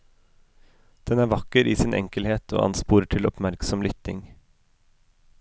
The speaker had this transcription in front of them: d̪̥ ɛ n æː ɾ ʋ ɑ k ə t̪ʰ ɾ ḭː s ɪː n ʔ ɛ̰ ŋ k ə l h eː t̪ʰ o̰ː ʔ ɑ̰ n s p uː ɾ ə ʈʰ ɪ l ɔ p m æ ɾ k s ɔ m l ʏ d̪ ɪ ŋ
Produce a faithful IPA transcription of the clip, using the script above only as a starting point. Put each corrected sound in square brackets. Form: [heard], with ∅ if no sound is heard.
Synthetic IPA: d̪̥ ɛ n æː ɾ ʋ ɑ k ə [∅] ɾ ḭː s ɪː n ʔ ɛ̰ ŋ k ə l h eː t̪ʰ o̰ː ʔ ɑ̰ n s p uː ɾ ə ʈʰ ɪ l ɔ p m æ ɾ k s ɔ m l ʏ [t̪] ɪ ŋ